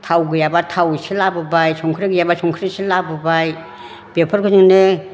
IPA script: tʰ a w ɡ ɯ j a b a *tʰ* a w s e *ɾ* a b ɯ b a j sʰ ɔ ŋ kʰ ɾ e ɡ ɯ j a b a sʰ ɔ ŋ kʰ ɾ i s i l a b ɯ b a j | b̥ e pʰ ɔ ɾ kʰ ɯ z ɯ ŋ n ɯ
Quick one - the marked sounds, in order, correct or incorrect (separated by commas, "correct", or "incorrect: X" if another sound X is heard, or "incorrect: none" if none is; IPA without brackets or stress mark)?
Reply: correct, incorrect: l